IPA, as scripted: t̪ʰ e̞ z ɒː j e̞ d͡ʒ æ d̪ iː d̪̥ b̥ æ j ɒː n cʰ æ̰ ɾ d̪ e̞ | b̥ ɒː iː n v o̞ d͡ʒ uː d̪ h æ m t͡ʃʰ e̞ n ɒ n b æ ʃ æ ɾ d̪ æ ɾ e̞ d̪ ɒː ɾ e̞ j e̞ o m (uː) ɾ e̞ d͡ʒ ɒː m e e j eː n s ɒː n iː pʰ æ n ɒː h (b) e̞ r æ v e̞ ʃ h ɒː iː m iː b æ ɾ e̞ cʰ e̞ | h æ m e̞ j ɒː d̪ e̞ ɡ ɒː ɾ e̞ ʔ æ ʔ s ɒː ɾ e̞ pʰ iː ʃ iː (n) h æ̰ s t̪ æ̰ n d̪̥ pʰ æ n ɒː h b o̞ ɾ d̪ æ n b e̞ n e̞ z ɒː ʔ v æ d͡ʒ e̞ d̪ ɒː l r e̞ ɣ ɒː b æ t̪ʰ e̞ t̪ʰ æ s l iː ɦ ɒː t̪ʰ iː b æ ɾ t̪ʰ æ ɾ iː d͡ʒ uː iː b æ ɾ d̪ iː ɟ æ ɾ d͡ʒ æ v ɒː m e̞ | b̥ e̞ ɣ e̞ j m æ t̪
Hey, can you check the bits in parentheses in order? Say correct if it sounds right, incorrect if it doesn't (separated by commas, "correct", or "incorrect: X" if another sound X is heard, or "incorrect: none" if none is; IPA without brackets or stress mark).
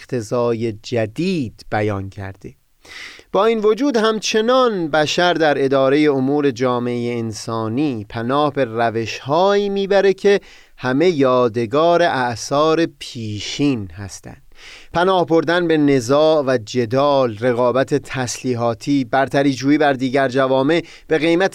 correct, correct, correct